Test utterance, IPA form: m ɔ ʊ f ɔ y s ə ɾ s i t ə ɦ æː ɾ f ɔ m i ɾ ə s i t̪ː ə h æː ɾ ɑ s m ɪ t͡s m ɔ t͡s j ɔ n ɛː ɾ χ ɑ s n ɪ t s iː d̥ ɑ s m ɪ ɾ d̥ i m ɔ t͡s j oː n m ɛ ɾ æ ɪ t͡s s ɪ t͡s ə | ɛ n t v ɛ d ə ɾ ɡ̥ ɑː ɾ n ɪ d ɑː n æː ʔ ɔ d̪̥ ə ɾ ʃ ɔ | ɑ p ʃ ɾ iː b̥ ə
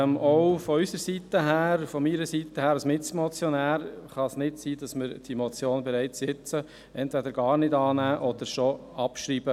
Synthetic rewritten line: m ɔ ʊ f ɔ y s ə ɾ s i t ə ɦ æː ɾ f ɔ m i ɾ ə s i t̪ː ə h æː ɾ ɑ s m ɪ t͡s m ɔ t͡s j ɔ n æː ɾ χ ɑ s n ɪ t s iː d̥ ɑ s m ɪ ɾ d̥ i m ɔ t͡s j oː n b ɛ ɾ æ ɪ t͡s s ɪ t͡s ə | ɛ n t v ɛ d ə ɾ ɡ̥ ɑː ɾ n ɪ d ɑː n æː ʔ ɔ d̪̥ ə ɾ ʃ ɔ | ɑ p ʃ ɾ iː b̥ ə